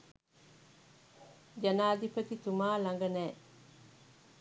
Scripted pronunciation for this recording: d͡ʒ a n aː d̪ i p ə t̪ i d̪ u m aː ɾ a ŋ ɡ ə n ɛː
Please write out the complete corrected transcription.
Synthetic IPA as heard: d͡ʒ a n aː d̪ i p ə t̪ i t̪ u m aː l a ŋ ɡ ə n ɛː